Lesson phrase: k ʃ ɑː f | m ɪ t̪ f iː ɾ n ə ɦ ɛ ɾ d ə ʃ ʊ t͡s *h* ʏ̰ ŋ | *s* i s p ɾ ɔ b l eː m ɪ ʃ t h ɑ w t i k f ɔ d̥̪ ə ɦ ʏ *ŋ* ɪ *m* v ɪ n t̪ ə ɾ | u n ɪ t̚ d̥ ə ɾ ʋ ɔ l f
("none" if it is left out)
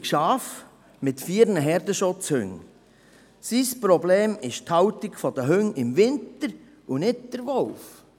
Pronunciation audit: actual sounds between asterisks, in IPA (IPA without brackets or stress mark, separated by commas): h, s, ŋ, m